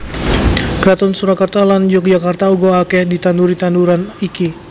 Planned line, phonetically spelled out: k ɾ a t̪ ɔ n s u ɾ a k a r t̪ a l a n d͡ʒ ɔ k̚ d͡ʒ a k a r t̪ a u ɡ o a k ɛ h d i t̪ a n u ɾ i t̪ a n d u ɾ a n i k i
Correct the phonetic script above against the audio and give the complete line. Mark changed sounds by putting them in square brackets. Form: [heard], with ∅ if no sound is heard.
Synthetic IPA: k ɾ a t̪ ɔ n s u ɾ a k a r t̪ a l a n d͡ʒ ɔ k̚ d͡ʒ a k a r t̪ a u ɡ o a k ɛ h d i t̪ a n u ɾ i t̪ a n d u ɾ a n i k i